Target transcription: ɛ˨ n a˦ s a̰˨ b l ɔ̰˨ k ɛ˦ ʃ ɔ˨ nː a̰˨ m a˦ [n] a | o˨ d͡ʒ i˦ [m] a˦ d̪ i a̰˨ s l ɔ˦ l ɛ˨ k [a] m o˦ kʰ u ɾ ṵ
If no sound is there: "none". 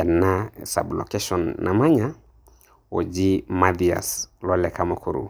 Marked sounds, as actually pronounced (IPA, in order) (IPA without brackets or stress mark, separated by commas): ɲ, m, a